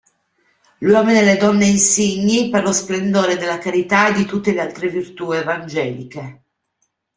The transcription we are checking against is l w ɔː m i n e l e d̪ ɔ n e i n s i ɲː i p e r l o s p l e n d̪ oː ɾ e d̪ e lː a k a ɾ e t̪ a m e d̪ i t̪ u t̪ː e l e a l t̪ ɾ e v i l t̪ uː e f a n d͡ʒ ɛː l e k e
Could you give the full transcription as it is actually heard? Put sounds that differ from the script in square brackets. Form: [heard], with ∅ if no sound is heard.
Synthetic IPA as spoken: l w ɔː m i n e l e d̪ ɔ [nː] e i n s i ɲː i p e r l o s p l e n d̪ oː ɾ e d̪ e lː a k a ɾ [i] t̪ a [∅] e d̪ i t̪ u t̪ː e l e a l t̪ ɾ e v i [r] t̪ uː e [v] a n d͡ʒ ɛː l [i] k e